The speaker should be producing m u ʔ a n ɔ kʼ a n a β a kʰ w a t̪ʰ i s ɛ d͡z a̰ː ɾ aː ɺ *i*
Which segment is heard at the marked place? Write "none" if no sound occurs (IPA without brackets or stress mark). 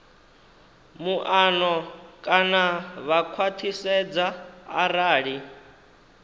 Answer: i